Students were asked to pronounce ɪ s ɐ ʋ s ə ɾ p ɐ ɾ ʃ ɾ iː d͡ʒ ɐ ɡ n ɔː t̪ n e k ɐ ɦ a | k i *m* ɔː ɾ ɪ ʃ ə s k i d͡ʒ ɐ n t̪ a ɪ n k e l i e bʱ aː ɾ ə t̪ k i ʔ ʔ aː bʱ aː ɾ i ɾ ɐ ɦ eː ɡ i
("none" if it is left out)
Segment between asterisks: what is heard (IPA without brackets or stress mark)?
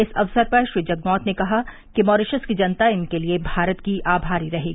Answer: m